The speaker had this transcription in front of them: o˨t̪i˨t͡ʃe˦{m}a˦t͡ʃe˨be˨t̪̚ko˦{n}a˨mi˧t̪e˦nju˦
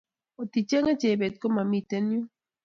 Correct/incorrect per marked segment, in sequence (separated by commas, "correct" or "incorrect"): incorrect, incorrect